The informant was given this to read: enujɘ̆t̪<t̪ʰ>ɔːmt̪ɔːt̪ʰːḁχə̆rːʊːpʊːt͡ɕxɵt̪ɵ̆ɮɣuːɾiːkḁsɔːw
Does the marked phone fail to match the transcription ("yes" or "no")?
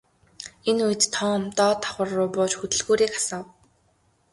no